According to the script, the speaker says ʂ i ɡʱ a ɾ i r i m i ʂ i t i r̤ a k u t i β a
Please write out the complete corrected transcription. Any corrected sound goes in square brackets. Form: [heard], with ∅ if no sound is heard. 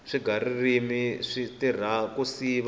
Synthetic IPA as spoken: ʂ i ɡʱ a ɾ i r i m i ʂ i t i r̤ a k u [s] i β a

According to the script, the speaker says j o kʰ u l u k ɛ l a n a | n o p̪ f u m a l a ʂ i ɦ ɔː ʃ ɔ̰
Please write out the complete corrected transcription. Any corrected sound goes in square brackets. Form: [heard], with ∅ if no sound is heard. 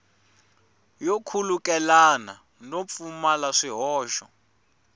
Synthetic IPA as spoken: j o kʰ u l u k ɛ l a n a | n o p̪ f u m a l a ʂ i ɦ ɔː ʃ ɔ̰

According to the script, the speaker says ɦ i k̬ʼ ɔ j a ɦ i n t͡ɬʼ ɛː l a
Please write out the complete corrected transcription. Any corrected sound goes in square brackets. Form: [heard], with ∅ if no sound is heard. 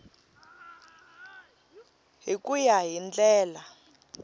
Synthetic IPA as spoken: ɦ i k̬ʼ [u] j a ɦ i n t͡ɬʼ ɛː l a

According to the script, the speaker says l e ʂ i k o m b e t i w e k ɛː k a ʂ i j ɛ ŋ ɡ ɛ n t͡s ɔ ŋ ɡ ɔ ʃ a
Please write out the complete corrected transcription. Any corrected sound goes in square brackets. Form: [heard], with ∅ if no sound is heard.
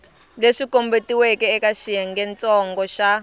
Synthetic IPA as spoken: l e ʂ i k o m b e t i w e k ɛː k a [ʃ] i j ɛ ŋ ɡ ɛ n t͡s ɔ ŋ ɡ ɔ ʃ a

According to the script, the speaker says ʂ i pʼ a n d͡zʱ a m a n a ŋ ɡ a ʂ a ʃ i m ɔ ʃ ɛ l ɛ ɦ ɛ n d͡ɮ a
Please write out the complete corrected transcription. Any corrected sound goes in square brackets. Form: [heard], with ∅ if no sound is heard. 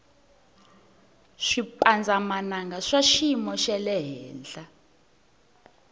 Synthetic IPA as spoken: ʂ i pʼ a n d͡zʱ a m a n a ŋ ɡ a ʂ a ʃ i m ɔ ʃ ɛ l ɛ ɦ [ɛː] n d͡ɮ a

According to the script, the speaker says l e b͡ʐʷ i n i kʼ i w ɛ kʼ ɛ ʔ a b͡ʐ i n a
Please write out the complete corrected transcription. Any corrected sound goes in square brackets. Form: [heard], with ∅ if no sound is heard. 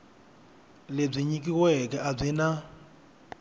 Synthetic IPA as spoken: l e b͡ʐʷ i [ɲ] i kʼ i w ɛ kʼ ɛ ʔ a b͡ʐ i n a

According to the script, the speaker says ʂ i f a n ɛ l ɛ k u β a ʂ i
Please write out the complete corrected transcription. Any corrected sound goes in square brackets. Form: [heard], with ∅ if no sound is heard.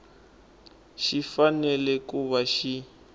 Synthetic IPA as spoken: [ʃ] i f a n ɛ l ɛ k u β a [ʃ] i

